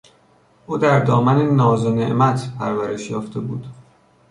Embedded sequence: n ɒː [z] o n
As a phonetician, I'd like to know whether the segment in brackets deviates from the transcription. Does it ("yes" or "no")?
no